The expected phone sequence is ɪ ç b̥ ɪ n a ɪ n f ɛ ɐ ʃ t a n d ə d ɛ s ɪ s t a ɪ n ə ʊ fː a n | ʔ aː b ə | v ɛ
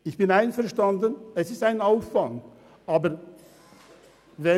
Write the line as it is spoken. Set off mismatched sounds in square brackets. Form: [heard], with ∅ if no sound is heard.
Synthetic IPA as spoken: ɪ ç b̥ ɪ n a ɪ n f ɛ ɐ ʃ t a n d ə [n] ɛ s ɪ s t a ɪ n [a] ʊ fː a [ŋ] | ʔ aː b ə | v ɛ